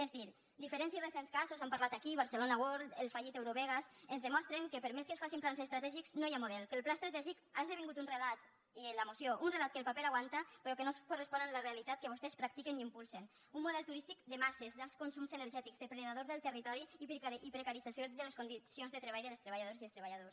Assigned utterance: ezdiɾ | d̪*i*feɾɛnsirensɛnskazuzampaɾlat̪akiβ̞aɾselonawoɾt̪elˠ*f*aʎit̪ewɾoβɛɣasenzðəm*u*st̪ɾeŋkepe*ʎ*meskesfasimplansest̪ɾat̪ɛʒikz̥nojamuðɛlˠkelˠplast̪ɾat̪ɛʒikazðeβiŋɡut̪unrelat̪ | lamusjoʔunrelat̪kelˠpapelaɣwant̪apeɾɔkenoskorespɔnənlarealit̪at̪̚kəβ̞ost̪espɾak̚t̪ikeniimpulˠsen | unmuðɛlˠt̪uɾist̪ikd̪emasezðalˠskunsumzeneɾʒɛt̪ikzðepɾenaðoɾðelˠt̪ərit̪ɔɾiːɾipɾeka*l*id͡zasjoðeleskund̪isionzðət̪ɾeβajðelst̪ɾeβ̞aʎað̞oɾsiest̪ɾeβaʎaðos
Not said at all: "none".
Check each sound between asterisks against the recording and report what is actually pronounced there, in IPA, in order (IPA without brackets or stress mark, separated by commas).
i, f, ɔ, ɾ, ɾ